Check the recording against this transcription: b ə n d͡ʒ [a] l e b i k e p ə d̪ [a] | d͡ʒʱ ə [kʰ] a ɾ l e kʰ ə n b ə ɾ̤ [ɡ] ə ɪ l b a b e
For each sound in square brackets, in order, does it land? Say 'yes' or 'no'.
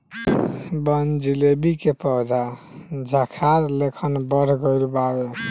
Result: no, yes, yes, yes

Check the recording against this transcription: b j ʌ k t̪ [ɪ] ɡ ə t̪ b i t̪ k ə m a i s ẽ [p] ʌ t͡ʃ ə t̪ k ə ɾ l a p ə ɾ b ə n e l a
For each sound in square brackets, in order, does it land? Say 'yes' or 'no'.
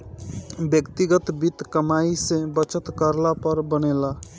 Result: no, no

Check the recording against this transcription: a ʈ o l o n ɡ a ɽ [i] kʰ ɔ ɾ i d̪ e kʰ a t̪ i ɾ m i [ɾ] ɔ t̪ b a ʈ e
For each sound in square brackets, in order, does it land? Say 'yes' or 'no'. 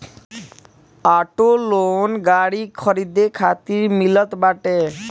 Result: yes, no

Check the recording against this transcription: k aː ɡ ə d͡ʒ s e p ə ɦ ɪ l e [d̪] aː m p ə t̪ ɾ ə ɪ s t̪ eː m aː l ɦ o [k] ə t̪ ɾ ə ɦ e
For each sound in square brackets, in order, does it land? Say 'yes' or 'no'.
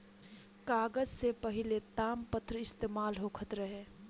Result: no, no

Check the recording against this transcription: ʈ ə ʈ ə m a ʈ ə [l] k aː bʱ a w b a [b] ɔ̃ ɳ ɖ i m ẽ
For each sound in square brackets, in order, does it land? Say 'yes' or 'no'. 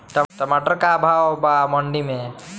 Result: no, no

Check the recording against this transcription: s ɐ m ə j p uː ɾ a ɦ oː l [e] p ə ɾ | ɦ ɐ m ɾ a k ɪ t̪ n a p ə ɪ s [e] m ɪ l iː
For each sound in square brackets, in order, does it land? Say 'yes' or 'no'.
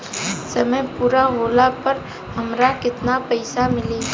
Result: no, no

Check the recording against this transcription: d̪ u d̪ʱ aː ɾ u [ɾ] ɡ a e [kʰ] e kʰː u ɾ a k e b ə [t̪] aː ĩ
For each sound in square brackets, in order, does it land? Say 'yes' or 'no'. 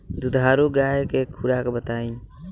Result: no, no, yes

